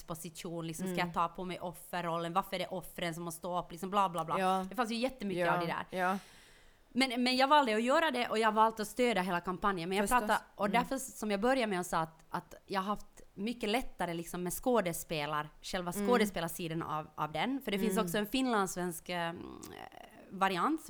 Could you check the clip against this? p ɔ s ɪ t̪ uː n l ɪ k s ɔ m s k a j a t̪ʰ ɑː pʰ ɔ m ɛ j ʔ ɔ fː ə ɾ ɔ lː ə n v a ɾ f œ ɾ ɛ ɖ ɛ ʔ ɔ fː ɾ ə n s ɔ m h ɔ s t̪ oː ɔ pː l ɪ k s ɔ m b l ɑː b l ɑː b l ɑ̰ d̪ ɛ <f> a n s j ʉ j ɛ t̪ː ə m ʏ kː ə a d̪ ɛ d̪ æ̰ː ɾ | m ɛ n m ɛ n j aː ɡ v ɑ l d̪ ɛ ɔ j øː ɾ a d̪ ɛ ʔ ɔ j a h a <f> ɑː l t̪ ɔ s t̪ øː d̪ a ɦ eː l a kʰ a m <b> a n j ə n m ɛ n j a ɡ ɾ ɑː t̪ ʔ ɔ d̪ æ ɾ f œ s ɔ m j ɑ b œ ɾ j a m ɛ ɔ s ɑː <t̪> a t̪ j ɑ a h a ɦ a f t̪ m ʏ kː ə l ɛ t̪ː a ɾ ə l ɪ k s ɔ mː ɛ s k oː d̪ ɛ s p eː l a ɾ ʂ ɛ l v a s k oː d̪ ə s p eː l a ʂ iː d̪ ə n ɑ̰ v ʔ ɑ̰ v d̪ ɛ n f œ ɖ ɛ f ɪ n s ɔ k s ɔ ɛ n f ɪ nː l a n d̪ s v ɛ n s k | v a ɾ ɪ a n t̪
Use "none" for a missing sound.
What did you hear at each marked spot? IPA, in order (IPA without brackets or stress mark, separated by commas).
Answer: f, v, p, t̪